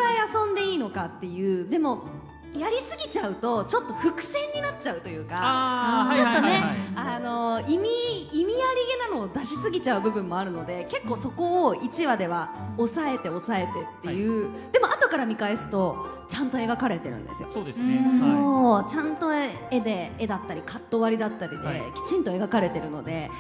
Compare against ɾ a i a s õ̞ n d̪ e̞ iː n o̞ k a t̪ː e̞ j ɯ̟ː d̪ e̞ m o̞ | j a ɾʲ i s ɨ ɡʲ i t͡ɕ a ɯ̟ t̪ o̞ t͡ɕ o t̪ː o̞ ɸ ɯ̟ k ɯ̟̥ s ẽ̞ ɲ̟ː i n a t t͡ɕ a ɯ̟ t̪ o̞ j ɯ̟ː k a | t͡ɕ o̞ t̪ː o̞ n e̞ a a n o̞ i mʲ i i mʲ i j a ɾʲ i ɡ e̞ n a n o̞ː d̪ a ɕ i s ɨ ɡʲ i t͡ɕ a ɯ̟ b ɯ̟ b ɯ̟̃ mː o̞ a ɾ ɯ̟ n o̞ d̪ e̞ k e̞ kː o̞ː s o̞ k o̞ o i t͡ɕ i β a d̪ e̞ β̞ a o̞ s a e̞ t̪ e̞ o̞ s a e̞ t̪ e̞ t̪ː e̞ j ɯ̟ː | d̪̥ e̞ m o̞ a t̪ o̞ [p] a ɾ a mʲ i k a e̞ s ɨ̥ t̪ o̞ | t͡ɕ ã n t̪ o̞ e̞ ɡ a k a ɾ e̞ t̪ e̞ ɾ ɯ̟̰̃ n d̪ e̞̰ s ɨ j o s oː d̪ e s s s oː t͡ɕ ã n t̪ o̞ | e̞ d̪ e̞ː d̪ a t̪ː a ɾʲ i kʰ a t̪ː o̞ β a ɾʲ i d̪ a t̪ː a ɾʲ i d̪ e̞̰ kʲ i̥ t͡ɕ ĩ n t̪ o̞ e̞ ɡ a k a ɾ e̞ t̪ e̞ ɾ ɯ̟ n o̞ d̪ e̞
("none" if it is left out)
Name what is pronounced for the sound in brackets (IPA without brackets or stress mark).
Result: k